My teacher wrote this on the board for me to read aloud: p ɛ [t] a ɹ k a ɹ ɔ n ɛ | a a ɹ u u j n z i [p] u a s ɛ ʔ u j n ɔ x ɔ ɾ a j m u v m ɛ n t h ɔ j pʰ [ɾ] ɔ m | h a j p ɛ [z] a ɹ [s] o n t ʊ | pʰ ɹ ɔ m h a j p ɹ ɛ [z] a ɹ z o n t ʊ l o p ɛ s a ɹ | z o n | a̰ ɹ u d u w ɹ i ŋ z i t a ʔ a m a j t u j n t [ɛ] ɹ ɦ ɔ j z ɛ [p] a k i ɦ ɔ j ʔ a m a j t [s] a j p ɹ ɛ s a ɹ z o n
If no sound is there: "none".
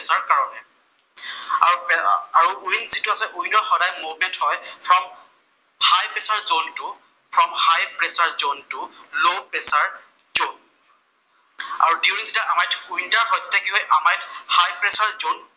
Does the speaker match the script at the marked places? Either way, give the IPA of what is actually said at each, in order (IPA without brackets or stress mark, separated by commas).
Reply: s, t, ɹ, s, z, s, a, t, h